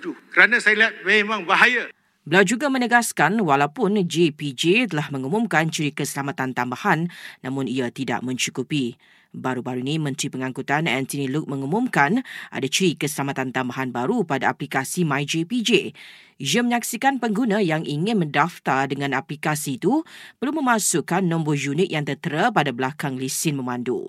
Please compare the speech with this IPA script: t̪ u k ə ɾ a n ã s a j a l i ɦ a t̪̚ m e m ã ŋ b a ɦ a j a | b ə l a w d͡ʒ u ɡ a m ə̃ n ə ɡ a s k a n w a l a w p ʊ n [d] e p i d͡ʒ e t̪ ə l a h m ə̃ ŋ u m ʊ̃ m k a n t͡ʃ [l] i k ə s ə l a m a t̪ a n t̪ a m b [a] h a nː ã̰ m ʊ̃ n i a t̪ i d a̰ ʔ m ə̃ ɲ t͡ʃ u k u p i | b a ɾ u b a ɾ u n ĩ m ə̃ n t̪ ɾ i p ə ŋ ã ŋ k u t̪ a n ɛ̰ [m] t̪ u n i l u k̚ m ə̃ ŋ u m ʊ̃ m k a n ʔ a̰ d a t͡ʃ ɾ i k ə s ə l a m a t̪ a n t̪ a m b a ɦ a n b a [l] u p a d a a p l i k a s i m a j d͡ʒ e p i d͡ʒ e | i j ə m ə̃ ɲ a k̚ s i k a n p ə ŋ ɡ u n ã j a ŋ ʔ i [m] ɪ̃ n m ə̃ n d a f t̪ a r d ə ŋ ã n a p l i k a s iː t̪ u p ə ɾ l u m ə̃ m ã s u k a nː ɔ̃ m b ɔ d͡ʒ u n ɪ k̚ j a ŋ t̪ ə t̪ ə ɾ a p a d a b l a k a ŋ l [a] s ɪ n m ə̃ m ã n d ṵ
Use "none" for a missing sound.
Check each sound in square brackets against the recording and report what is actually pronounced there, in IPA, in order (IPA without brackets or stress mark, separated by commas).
d͡ʒ, ɾ, a, n, ɾ, ŋ, i